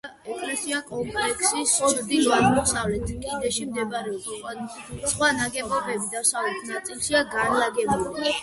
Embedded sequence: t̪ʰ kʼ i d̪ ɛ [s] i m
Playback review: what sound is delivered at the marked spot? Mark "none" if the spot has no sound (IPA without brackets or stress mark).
ʃ